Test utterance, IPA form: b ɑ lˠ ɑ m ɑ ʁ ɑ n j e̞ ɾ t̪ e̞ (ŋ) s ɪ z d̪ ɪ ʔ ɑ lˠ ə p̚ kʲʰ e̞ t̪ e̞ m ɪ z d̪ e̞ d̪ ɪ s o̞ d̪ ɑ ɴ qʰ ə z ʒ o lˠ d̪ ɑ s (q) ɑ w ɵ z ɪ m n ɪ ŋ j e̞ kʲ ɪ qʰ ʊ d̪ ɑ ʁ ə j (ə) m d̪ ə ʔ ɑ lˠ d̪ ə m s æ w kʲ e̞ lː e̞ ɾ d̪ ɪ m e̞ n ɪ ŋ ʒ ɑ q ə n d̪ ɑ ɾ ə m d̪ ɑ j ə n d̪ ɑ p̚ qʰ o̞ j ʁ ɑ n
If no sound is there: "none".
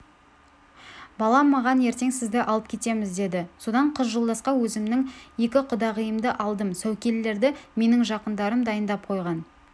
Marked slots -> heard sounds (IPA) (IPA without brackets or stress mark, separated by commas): ŋ, q, ə